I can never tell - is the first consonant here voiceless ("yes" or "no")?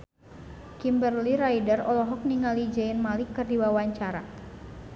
yes